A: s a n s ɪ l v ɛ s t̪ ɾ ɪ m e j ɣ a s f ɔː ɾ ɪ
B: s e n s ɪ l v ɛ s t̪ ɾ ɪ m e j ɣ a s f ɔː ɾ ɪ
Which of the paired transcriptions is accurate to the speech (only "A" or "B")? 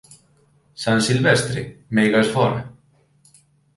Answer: A